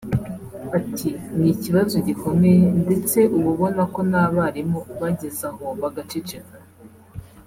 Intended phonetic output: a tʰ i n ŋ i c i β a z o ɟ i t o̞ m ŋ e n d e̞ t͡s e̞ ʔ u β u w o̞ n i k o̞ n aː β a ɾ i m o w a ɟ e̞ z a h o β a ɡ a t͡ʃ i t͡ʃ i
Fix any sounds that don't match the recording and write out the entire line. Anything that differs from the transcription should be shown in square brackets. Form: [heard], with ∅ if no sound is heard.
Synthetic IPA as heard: a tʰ i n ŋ i c i β a z o ɟ i [k] o̞ m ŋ e n d e̞ t͡s e̞ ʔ u β u [β] o̞ n [a] k o̞ n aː β a ɾ i m o [β] a ɟ e̞ z a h o β a ɡ a t͡ʃ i t͡ʃ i